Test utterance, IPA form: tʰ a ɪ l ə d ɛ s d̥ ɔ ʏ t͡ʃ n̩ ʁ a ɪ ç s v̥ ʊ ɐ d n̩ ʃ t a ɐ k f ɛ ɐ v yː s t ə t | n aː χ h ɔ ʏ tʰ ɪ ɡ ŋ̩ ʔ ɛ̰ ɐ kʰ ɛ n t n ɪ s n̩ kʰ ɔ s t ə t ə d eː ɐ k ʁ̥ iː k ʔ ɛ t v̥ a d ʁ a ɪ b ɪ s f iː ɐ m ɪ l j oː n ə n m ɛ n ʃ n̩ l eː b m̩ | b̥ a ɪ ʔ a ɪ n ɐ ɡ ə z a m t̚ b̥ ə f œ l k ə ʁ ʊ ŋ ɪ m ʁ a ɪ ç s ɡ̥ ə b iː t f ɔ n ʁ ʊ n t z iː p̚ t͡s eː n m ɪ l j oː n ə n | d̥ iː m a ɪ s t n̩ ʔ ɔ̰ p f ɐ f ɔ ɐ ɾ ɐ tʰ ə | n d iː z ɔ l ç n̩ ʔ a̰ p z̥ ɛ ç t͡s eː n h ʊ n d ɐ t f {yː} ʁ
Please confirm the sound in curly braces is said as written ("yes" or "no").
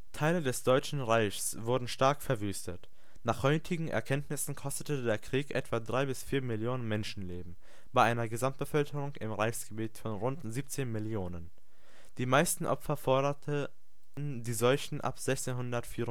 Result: no